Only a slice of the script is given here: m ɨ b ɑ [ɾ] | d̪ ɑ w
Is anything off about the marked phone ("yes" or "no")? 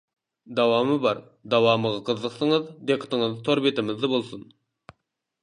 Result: no